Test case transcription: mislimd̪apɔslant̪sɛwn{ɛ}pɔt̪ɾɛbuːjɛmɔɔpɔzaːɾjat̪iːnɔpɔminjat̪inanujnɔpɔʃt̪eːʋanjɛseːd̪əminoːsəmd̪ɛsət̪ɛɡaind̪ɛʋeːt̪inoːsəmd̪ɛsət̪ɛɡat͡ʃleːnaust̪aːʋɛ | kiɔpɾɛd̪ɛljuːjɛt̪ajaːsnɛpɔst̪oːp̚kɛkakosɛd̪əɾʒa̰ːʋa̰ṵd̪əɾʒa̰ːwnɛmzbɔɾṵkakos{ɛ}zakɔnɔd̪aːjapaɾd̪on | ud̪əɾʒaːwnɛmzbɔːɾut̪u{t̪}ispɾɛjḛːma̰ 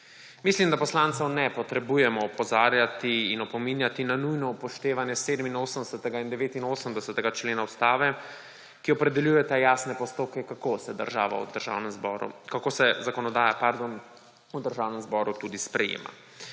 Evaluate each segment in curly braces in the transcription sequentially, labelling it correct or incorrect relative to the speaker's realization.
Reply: correct, correct, incorrect: d̪

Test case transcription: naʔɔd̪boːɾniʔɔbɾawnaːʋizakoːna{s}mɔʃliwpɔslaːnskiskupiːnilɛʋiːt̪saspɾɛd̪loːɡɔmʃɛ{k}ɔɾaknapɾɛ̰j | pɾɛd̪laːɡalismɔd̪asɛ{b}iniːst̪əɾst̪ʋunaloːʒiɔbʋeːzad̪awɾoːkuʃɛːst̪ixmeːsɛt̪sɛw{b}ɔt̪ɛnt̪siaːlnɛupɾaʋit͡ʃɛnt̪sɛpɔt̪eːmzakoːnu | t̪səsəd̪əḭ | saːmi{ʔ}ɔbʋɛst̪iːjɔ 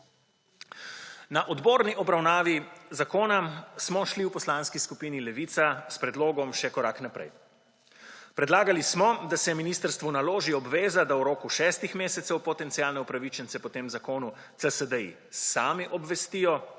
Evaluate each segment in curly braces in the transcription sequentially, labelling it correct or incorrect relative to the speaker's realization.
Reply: correct, correct, incorrect: m, incorrect: p, correct

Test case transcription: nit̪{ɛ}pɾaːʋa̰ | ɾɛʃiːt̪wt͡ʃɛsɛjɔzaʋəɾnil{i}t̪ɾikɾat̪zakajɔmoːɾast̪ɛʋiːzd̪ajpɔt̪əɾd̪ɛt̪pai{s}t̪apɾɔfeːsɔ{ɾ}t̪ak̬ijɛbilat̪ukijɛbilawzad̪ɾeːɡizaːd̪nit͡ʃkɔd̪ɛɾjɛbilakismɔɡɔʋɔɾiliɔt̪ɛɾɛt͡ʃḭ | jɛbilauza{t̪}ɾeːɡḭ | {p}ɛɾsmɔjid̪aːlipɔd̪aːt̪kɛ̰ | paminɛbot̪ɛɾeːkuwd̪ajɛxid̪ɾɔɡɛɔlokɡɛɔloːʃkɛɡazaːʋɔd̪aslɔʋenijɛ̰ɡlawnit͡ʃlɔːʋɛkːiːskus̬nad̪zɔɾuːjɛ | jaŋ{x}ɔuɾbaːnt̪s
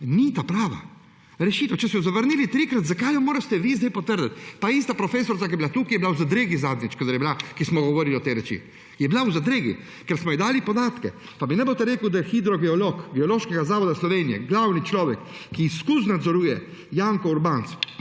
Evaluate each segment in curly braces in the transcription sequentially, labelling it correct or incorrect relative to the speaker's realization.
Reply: incorrect: a, correct, correct, correct, incorrect: d̪, incorrect: k, incorrect: k

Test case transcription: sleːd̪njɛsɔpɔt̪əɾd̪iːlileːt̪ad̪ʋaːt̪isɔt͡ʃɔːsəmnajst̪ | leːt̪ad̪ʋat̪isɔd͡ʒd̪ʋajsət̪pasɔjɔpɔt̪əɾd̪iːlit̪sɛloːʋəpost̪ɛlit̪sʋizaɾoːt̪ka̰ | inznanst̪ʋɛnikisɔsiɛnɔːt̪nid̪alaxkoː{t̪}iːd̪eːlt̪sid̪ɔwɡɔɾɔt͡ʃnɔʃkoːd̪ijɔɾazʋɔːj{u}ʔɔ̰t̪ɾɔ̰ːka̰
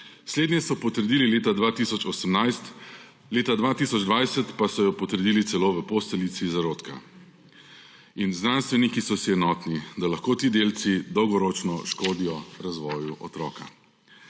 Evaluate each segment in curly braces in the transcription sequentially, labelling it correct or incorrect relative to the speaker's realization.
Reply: correct, correct

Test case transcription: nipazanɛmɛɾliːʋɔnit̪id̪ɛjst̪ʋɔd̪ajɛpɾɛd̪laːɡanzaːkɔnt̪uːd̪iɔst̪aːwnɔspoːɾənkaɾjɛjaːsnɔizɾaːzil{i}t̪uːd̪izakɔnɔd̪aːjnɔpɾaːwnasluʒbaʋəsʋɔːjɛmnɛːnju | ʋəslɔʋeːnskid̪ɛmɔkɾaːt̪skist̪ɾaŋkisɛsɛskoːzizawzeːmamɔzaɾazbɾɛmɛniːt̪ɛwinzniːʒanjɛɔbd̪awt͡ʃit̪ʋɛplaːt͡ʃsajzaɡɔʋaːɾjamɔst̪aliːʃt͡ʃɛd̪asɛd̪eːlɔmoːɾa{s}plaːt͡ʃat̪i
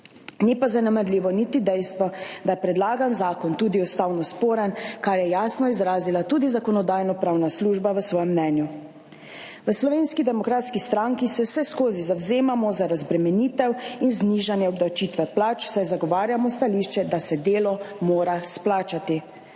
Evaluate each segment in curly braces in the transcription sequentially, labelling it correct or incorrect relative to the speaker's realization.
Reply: incorrect: a, correct

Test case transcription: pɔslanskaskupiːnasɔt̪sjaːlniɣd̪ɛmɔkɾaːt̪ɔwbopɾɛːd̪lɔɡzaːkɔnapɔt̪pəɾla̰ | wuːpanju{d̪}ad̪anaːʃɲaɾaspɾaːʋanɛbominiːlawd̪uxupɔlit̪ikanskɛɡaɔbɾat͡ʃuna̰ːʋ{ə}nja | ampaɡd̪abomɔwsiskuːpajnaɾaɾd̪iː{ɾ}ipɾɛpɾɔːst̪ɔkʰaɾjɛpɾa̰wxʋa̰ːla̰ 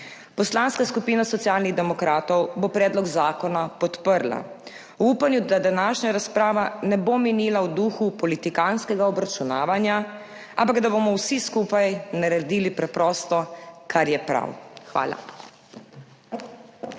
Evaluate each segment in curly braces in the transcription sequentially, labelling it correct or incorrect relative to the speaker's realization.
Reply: correct, incorrect: a, incorrect: l

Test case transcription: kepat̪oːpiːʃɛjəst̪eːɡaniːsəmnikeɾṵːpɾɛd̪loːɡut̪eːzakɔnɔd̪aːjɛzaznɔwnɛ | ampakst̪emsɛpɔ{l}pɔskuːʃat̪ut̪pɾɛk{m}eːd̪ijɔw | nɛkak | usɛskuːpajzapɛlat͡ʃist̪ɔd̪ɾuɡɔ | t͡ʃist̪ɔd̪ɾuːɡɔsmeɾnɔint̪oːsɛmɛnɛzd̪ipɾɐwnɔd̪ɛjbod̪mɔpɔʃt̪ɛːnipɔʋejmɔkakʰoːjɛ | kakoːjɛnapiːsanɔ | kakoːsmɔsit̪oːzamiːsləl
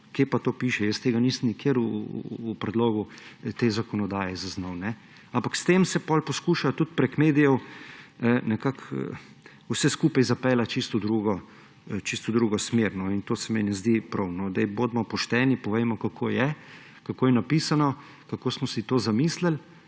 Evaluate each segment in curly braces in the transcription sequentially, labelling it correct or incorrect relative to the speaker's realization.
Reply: correct, correct

